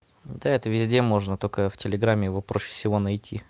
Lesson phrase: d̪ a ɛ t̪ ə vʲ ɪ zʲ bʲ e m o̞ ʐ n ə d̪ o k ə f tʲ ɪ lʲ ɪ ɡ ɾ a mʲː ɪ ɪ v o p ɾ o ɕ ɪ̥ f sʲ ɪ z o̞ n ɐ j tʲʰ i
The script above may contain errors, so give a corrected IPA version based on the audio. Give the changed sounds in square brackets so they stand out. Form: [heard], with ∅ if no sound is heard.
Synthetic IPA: d̪ a ɛ t̪ ə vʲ ɪ zʲ [dʲ] e m o̞ ʐ n ə [t̪] o k ə f tʲ ɪ lʲ ɪ ɡ ɾ a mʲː ɪ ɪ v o p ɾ o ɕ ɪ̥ f sʲ ɪ [v] o̞ n ɐ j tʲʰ i